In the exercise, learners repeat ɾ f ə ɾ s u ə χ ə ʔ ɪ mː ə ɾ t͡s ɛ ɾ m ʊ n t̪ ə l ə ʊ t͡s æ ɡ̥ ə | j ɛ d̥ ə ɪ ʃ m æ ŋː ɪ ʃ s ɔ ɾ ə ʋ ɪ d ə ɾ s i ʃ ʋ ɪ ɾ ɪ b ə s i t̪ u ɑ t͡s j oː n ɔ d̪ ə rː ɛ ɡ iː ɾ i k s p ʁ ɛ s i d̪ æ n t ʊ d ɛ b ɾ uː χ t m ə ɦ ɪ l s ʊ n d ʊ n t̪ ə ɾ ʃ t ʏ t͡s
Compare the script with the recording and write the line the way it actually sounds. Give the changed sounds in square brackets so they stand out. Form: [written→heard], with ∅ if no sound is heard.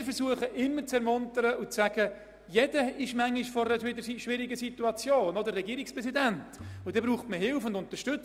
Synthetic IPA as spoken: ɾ f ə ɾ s u ə χ ə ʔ ɪ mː ə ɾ t͡s ɛ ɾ m ʊ n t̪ ə [l→ɾ] ə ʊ t͡s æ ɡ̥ ə | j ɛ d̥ ə ɪ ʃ m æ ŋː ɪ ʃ [s→f] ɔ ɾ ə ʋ ɪ d ə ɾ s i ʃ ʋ ɪ ɾ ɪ [b→ɡ] ə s i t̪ u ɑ t͡s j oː n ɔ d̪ ə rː ɛ ɡ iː ɾ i k s p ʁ ɛ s i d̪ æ n t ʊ d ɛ b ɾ uː χ t m ə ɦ ɪ l [s→f] ʊ n d ʊ n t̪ ə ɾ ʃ t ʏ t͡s

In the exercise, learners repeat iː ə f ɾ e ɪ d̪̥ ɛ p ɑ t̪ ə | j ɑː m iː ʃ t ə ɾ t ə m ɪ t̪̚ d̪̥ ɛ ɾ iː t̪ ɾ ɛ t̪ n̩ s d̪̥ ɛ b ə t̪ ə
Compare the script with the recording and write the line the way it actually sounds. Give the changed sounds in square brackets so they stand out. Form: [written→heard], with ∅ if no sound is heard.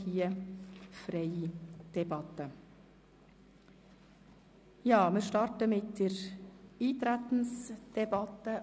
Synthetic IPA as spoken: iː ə f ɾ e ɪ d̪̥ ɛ [p→b] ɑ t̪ ə | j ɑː m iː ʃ t [ə→ɑ] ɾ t ə m ɪ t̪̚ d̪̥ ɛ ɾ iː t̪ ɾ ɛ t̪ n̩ s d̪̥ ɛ b [ə→ɑ] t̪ ə

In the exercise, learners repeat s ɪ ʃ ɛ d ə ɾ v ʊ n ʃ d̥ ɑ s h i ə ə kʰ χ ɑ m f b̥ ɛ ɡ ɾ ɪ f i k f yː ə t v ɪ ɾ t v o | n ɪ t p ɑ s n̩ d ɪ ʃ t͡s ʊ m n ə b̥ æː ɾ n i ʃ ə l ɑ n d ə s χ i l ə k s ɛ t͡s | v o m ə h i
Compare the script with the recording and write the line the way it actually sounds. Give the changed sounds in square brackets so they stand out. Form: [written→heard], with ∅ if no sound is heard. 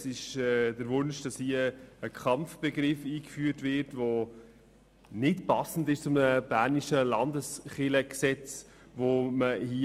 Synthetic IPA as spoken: s ɪ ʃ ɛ d ə ɾ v ʊ n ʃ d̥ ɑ s h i ə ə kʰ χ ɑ m f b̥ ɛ ɡ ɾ ɪ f [i→iː] k f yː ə t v ɪ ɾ t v o | n ɪ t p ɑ s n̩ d ɪ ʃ t͡s ʊ m n ə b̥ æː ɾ n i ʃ ə l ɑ n d ə s χ [i→ɪ] l ə k s ɛ t͡s | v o m ə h i

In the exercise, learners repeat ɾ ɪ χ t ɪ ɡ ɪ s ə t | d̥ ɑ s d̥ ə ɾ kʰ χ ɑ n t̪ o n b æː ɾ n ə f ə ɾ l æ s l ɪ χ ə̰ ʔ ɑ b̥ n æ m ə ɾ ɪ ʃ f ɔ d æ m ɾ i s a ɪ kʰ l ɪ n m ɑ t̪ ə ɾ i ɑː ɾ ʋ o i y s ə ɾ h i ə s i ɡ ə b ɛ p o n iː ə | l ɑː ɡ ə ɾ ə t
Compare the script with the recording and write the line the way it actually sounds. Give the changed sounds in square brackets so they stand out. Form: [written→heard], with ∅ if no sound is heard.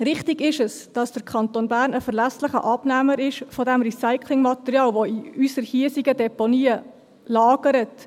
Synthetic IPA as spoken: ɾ ɪ χ t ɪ ɡ ɪ [s→ʃ] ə [t→s] | d̥ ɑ s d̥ ə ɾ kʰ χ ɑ n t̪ o n b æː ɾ n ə f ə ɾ l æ s l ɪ χ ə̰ ʔ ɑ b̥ n æ m ə ɾ ɪ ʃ f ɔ d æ m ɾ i s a ɪ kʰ l ɪ [n→ŋ] m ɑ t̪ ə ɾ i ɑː [ɾ→l] ʋ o i y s ə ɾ h i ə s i ɡ ə [b→d] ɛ p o n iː ə | l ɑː ɡ ə ɾ ə t

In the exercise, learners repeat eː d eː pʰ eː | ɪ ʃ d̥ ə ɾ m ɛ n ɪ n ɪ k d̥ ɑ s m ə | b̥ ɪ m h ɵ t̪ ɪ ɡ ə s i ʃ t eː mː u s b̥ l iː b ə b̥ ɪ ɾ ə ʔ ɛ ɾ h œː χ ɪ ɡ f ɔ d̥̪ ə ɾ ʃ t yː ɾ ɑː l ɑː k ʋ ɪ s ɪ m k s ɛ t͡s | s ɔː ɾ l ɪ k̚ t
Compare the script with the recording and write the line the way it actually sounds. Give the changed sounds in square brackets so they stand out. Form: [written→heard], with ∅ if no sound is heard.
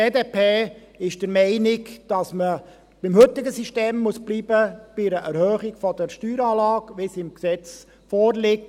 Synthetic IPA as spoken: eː d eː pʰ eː | ɪ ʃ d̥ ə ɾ m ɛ [n→∅] ɪ n ɪ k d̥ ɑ s m ə | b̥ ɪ m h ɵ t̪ ɪ ɡ ə s i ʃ t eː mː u s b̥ l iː b ə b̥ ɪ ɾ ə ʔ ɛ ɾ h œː χ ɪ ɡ f ɔ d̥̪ ə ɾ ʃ t yː ɾ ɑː l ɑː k ʋ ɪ s ɪ m k s ɛ t͡s | [s→f] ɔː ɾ l ɪ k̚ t

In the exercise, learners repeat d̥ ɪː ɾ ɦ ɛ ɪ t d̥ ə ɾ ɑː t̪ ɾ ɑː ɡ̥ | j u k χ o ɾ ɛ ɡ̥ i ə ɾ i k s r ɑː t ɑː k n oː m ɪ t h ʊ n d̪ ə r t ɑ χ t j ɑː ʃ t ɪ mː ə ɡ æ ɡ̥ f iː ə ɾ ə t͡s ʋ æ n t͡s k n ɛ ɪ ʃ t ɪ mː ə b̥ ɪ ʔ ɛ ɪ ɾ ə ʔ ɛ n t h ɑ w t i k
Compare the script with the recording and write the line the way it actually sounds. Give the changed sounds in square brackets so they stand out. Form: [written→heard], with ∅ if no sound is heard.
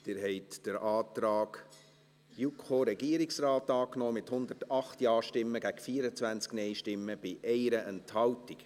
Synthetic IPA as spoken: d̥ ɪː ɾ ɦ ɛ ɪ t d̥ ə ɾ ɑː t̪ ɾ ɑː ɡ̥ | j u k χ o ɾ ɛ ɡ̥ i ə ɾ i k s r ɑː t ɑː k n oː m ɪ t h ʊ n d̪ ə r t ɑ χ t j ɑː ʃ t ɪ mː ə ɡ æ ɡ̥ f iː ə ɾ ə t͡s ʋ æ n t͡s k n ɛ ɪ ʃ t ɪ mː ə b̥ ɪ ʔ ɛ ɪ ɾ ə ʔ ɛ n t h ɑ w t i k

